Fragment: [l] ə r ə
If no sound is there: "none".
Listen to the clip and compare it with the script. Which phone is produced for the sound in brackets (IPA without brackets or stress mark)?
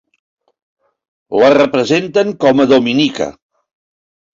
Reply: l